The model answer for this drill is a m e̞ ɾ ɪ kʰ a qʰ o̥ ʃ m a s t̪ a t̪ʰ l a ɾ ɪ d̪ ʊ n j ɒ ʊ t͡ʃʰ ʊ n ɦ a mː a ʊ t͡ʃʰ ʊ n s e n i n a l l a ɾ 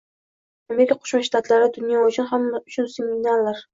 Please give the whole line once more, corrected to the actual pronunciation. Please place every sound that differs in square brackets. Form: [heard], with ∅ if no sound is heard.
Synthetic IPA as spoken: a m e̞ ɾ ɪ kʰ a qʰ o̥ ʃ m a [ʃ] t̪ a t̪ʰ l a ɾ ɪ d̪ ʊ n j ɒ ʊ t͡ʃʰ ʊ n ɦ a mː a ʊ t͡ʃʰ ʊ n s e [m] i n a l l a ɾ